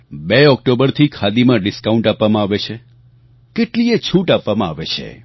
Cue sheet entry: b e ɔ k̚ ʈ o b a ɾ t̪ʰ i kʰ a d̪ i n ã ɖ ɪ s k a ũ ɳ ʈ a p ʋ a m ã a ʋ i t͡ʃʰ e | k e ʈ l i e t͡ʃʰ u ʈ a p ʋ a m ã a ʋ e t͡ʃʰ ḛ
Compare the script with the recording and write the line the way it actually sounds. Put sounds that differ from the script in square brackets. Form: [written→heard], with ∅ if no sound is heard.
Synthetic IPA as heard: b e ɔ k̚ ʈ o b [a→ə] ɾ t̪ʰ i kʰ a d̪ i [n→m] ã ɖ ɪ s k a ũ ɳ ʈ a p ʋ a m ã a ʋ [i→e] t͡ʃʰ e | k e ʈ l i e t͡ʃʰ u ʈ a p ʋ a m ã a ʋ e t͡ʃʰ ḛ